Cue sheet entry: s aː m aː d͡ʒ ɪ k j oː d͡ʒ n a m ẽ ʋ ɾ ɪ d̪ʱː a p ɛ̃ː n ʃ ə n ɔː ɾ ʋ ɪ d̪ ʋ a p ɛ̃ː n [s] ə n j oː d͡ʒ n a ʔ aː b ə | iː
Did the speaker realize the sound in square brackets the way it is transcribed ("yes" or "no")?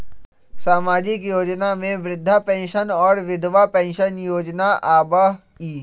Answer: no